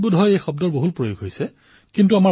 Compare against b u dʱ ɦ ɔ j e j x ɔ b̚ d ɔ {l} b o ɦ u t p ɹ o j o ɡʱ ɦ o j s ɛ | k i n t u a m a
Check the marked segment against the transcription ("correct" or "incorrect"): incorrect